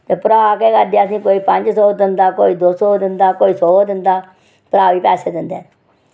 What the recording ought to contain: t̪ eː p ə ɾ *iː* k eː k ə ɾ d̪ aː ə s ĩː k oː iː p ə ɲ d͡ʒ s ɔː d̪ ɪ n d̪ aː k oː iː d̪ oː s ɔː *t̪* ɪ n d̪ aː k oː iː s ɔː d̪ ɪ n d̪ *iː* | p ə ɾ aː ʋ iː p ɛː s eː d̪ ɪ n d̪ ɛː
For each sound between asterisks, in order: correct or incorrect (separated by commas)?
incorrect, incorrect, incorrect